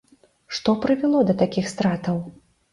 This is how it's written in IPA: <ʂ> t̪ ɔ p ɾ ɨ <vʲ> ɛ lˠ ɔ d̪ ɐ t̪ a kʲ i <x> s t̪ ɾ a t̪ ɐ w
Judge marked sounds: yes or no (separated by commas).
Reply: yes, yes, yes